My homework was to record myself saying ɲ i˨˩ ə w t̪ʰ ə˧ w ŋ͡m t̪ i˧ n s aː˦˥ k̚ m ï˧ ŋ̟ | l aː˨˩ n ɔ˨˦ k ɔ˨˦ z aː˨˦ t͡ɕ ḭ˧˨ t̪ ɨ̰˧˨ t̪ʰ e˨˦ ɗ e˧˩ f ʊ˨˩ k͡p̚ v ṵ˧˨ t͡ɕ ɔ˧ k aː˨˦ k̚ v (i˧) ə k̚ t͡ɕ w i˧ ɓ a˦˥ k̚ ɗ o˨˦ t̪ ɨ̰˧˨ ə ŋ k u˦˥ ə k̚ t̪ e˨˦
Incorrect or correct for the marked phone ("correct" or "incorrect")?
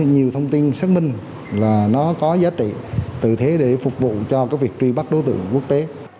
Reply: incorrect